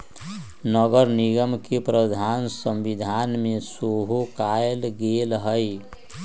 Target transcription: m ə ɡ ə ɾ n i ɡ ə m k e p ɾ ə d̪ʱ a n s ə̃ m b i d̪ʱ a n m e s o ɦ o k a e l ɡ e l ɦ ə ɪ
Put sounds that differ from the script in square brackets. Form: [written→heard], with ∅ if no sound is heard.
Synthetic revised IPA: [m→n] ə ɡ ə ɾ n i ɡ ə m k e p ɾ ə d̪ʱ a n s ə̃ m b i d̪ʱ a n m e s o ɦ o k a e l ɡ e l ɦ ə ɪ

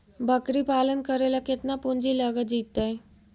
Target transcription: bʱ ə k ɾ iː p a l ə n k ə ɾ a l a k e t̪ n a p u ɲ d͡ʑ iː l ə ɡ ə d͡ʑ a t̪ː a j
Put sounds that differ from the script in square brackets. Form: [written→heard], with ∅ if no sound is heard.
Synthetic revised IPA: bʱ ə k ɾ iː p a l ə n k ə ɾ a l a k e t̪ n a p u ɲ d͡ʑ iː l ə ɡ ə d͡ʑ [a→i] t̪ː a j

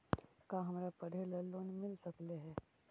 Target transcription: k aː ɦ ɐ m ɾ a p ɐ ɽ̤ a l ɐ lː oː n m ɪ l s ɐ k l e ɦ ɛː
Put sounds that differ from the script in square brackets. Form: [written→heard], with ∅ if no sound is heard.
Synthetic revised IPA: k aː ɦ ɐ m ɾ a p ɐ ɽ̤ [a→e] l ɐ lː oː n m ɪ l s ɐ k l e ɦ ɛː

